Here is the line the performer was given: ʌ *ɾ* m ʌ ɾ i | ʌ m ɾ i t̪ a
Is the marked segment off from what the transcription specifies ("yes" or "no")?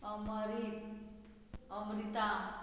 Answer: yes